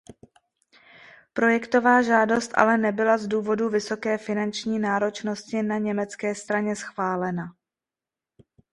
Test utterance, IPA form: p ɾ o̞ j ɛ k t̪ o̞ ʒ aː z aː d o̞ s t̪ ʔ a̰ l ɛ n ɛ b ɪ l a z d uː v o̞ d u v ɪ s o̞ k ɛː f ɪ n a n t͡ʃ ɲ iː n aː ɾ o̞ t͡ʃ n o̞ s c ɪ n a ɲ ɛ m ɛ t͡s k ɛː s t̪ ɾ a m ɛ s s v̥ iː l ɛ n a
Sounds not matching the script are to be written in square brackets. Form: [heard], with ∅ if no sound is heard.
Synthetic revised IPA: p ɾ o̞ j ɛ k t̪ o̞ [v] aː [ʒ] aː d o̞ s t̪ ʔ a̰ l ɛ n ɛ b ɪ l a z d uː v o̞ d u v ɪ s o̞ k ɛː f ɪ n a n t͡ʃ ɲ iː n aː ɾ o̞ t͡ʃ n o̞ s c ɪ n a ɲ ɛ m ɛ t͡s k ɛː s t̪ ɾ a [ɲ] ɛ s [x] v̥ [aː] l ɛ n a

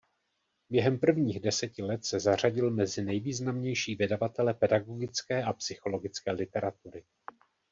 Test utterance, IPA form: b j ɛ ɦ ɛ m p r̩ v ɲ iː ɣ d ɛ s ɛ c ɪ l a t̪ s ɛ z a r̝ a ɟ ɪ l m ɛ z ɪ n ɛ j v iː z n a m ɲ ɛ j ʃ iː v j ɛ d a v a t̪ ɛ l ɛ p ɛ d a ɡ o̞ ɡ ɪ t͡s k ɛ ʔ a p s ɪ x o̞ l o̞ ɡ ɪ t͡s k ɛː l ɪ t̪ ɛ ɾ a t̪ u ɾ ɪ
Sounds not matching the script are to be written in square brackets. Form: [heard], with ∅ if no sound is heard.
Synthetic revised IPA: b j ɛ ɦ ɛ m p r̩ v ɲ iː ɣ d ɛ s ɛ c ɪ l [ɛ] t̪ s ɛ z a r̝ a ɟ ɪ l m ɛ z ɪ n ɛ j v iː z n a m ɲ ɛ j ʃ iː v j ɛ d a v a t̪ ɛ l ɛ p ɛ d a ɡ o̞ ɡ ɪ t͡s k [ɛː] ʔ a p s ɪ x o̞ l o̞ ɡ ɪ t͡s k ɛː l ɪ t̪ ɛ ɾ a t̪ u ɾ ɪ

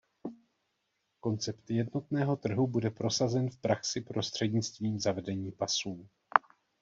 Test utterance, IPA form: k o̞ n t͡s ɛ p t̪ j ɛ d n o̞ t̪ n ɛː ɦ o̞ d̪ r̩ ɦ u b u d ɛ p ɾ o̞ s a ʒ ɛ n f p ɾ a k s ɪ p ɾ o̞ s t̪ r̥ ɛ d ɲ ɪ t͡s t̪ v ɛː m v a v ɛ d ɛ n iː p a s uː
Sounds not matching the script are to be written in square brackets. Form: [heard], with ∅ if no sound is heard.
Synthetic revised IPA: k o̞ n t͡s ɛ p t̪ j ɛ d n o̞ t̪ n ɛː ɦ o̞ [t̪] r̩ ɦ u b u d ɛ p ɾ o̞ s a [z] ɛ n f p ɾ a k s ɪ p ɾ o̞ s t̪ r̥ ɛ d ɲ ɪ t͡s t̪ v [iː] m [z] a v ɛ d ɛ [ɲ] iː p a s uː

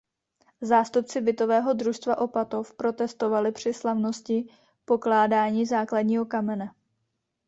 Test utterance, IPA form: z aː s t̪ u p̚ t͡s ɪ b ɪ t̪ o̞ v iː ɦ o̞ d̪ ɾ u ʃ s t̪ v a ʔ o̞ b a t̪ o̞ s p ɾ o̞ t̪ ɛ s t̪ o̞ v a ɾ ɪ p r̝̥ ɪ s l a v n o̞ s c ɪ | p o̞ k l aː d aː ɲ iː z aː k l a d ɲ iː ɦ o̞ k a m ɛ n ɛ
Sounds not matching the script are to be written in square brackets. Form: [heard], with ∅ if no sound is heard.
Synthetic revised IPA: z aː s t̪ u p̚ t͡s ɪ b ɪ t̪ o̞ v [ɛː] ɦ o̞ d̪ ɾ u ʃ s t̪ v a ʔ o̞ [p] a t̪ o̞ [f] p ɾ o̞ t̪ ɛ s t̪ o̞ v a [l] ɪ p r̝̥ ɪ s l a v n o̞ s c ɪ | p o̞ k l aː d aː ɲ iː z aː k l a d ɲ iː ɦ o̞ k a m ɛ n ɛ

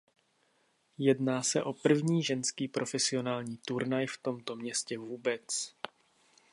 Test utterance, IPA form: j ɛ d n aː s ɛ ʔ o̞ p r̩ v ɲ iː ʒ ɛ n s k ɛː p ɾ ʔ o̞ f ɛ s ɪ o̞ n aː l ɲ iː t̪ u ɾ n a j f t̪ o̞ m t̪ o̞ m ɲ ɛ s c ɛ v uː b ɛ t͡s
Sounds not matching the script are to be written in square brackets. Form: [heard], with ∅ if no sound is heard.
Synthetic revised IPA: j ɛ d n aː s ɛ ʔ o̞ p r̩ v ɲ iː ʒ ɛ n s k [iː] p ɾ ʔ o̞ f ɛ s ɪ o̞ n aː l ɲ iː t̪ u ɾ n a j f t̪ o̞ m t̪ o̞ m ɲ ɛ s c ɛ v uː b ɛ t͡s

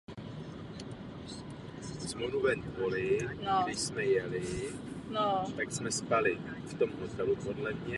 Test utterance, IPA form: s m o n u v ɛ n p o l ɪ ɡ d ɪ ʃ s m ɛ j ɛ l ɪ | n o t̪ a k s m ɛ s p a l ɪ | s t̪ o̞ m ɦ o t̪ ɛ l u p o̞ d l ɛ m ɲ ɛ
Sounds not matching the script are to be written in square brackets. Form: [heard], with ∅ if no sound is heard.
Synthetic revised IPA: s m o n u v ɛ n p o l ɪ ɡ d ɪ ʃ s m ɛ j ɛ l ɪ | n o t̪ a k s m ɛ s p a l ɪ | [f] t̪ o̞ m ɦ o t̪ ɛ l u p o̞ d l ɛ m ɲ ɛ

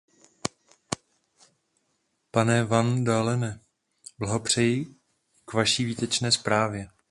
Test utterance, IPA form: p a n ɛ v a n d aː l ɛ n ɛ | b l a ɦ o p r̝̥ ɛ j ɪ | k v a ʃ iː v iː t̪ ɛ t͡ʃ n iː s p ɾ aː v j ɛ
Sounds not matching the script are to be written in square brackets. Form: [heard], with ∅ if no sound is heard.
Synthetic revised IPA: p a n ɛ v a n d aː l ɛ n ɛ | b l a ɦ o p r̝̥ ɛ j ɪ | k v a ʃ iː v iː t̪ ɛ t͡ʃ n [ɛː] s p ɾ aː v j ɛ

